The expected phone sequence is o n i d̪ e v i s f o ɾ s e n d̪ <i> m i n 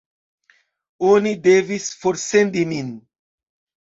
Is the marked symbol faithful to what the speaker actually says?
yes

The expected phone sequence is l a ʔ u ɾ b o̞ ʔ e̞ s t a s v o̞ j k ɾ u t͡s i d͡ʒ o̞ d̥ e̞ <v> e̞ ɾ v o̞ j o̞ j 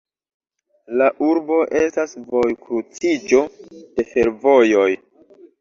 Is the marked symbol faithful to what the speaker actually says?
no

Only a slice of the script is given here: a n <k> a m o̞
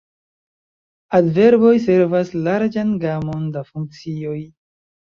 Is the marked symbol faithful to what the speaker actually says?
no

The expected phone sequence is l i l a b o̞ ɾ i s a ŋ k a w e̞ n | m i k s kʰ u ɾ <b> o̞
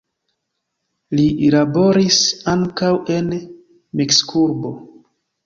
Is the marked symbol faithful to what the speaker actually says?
yes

